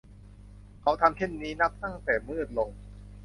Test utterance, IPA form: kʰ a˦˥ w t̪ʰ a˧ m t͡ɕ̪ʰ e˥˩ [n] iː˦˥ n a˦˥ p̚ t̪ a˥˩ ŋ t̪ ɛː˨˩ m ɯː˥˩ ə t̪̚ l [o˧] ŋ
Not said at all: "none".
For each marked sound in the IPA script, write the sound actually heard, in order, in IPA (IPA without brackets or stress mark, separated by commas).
nː, o˧